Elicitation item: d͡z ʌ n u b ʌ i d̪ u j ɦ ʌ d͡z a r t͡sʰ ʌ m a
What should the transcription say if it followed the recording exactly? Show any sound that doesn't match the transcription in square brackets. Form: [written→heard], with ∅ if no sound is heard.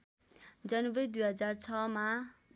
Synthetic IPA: d͡z ʌ n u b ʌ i d̪ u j ɦ ʌ d͡z a r t͡sʰ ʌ m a